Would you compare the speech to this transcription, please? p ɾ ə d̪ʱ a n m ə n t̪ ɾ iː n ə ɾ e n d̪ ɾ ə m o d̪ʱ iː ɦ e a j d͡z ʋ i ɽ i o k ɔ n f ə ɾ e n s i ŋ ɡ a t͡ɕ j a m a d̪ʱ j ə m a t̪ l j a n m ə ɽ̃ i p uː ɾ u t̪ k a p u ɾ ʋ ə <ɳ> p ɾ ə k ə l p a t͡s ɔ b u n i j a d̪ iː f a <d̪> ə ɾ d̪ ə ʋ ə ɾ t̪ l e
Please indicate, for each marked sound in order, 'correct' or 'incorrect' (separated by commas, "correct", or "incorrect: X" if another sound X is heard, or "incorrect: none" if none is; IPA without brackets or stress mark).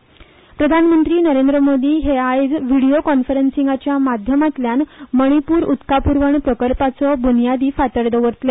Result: correct, incorrect: t̪